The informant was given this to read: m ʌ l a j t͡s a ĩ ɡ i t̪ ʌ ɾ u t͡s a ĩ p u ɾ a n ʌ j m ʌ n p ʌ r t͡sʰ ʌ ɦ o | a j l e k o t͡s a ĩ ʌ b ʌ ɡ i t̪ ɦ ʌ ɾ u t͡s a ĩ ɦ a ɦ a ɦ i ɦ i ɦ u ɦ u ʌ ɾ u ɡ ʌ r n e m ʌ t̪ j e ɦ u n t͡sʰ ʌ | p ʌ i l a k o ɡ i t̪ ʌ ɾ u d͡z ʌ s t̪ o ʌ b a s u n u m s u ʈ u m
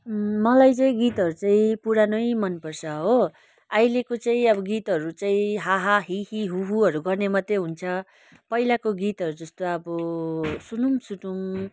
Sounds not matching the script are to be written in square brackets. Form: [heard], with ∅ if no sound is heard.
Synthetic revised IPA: m ʌ l a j t͡s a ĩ ɡ i t̪ ʌ ɾ u t͡s a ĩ p u ɾ a n ʌ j m ʌ n p ʌ r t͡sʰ ʌ ɦ o | a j l e k o t͡s a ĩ ʌ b ʌ ɡ i t̪ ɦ ʌ ɾ u t͡s a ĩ ɦ a ɦ a ɦ i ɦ i ɦ u ɦ u ʌ ɾ u ɡ ʌ r n e m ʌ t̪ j e ɦ u n t͡sʰ ʌ | p ʌ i l a k o ɡ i t̪ ʌ ɾ u d͡z ʌ s t̪ o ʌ b [ʌ] s u n u m s u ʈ u m